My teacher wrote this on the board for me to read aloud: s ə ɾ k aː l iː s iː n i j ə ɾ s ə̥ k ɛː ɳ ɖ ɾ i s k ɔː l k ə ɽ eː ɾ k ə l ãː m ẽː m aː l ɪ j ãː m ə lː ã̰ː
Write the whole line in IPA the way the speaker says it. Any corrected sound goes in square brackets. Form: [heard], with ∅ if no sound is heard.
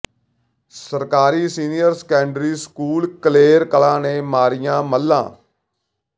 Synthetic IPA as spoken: s ə ɾ k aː [ɾ] iː s iː n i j ə ɾ s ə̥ k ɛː ɳ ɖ ɾ [iː] s k [uː] l k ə [l] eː ɾ k ə l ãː [n] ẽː m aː [ɾ] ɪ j ãː m ə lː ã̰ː